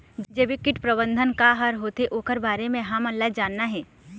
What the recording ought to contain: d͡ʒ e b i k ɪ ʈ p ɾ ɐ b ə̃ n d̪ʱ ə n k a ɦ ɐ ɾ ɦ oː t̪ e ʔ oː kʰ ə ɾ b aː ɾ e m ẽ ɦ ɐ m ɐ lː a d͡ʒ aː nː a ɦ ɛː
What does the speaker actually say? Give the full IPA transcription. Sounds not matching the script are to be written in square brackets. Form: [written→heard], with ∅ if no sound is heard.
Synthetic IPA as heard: d͡ʒ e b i k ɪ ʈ p ɾ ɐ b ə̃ n d̪ʱ ə n k a ɦ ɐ ɾ ɦ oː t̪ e ʔ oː [kʰ→k] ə ɾ b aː ɾ e m ẽ ɦ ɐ m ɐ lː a d͡ʒ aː nː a ɦ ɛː